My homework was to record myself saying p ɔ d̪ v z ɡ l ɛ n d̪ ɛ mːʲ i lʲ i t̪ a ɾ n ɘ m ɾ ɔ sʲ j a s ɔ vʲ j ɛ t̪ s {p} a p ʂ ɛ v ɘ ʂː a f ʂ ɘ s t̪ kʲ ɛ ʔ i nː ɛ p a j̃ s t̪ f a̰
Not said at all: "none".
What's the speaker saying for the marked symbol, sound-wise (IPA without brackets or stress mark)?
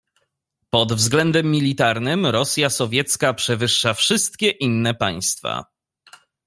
k